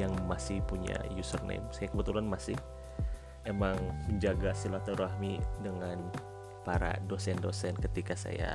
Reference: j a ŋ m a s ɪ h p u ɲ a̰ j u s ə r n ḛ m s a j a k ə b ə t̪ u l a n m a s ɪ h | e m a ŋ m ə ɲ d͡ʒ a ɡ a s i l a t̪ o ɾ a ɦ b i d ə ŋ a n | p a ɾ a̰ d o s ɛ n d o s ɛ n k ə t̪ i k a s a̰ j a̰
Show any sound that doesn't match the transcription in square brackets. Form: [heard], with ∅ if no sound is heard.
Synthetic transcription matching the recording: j a ŋ m a s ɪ h p u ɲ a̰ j u s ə r n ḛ m s a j a k ə b ə t̪ u l a n m a s ɪ h | e m a ŋ m ə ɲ d͡ʒ a ɡ a s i l a t̪ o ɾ a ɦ [m] i d ə ŋ a n | p a ɾ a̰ d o s ɛ n d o s ɛ n k ə t̪ i k a s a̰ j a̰